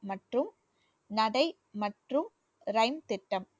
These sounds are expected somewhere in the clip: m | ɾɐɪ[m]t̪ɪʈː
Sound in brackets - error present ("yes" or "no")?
no